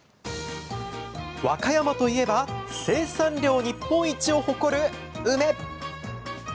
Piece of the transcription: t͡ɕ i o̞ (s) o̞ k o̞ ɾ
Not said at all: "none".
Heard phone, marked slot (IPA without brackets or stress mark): h